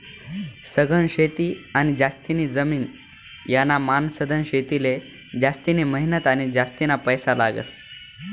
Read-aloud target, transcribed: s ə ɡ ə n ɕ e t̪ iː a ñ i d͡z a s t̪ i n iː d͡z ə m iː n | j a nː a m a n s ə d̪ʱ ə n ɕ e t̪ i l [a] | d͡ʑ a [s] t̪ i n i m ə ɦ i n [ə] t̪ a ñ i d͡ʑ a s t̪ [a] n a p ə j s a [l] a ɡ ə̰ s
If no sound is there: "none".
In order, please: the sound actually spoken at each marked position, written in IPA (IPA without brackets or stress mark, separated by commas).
e, s, ə, i, l